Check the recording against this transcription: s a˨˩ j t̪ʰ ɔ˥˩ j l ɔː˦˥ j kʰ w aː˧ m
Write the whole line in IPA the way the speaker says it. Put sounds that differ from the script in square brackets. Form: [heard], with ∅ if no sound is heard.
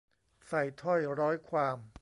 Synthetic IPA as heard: s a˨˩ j t̪ʰ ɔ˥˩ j [ɾ] ɔː˦˥ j kʰ w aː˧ m